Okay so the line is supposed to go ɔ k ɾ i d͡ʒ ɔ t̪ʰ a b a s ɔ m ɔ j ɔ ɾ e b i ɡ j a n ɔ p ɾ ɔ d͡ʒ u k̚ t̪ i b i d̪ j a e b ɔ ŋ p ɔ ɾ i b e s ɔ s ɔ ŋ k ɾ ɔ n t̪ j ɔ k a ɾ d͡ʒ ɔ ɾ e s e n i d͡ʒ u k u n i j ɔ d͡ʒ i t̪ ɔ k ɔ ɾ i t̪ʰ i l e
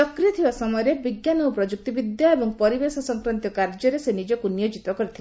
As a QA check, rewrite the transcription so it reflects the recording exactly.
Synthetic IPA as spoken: ɔ k ɾ i ɔ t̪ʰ i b a s ɔ m ɔ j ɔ ɾ e b i ɡ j a n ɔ p ɾ ɔ d͡ʒ u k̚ t̪ i b i d̪ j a e b ɔ ŋ p ɔ ɾ i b e s ɔ s ɔ ŋ k ɾ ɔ n t̪ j ɔ k a ɾ d͡ʒ ɔ ɾ e s e n i d͡ʒ ɔ k u n i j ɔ d͡ʒ i t̪ ɔ k ɔ ɾ i t̪ʰ i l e